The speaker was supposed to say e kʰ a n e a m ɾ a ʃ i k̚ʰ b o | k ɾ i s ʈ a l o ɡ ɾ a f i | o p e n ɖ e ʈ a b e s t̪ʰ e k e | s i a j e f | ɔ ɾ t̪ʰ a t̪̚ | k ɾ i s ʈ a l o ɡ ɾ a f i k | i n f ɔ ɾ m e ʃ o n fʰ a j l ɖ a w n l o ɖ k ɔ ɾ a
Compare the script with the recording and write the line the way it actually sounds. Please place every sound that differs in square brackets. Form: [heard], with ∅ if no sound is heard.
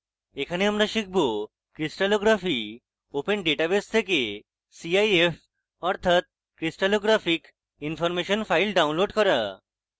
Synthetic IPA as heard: e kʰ a n e a m ɾ a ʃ i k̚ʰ b o | k ɾ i s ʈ a l o ɡ ɾ a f i | o p e n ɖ e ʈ a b e s t̪ʰ e k e | s i a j e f | ɔ ɾ t̪ʰ a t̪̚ | k ɾ i s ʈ a l o ɡ ɾ a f i k | i n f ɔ ɾ m e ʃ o n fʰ a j l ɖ a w n l o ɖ k ɔ ɾ a